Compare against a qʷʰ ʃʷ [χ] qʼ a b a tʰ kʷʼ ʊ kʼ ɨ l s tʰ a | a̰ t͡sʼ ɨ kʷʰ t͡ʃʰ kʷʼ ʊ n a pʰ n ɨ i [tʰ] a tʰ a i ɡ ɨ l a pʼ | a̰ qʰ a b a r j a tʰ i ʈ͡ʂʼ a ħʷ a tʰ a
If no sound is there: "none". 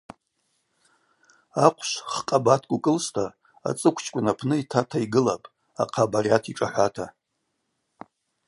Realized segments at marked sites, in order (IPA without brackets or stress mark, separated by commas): χ, tʰ